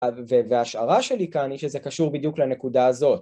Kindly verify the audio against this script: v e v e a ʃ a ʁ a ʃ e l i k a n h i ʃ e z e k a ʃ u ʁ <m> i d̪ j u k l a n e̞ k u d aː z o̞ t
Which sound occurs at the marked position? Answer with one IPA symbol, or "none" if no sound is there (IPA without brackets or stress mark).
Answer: b